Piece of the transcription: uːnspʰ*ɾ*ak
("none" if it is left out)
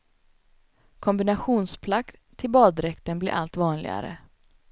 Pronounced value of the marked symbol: l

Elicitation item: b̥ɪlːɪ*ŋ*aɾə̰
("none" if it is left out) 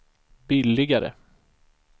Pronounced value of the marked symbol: ɡ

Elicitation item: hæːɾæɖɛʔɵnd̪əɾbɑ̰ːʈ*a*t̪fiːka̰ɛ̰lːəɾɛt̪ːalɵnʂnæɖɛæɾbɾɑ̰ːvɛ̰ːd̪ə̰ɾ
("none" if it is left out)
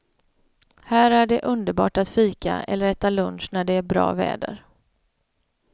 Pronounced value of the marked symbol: a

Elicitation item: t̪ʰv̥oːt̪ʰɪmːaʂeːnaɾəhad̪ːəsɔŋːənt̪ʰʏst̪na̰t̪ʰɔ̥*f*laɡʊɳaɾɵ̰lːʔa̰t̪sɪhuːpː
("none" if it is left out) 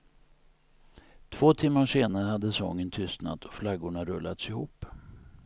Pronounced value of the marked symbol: f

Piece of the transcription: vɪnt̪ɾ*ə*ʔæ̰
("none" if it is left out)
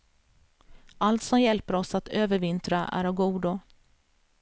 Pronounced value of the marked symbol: a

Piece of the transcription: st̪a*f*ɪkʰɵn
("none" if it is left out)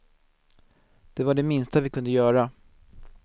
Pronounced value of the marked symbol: v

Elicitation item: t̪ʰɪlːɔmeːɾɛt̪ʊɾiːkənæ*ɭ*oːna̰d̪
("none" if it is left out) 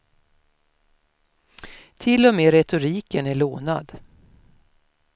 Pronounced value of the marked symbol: ɭ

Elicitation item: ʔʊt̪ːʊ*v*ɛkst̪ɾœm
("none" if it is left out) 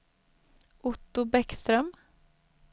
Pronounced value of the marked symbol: b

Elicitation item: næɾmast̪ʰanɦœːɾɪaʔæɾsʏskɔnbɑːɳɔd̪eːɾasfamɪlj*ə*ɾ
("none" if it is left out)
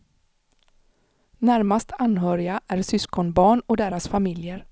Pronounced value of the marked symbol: ə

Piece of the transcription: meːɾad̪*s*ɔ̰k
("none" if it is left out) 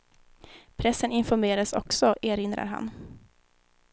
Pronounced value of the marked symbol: s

